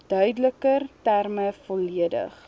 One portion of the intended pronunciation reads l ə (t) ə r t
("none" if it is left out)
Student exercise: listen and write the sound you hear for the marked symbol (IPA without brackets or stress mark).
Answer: k